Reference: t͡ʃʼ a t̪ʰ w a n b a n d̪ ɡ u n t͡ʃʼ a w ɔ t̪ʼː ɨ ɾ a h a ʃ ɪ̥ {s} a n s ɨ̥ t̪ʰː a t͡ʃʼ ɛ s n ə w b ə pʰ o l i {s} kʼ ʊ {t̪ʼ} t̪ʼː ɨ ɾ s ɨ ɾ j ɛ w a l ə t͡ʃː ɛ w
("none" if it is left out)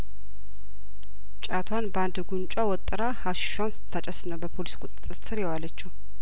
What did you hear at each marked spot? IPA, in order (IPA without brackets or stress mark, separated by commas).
ʃ, s, t̪ʼ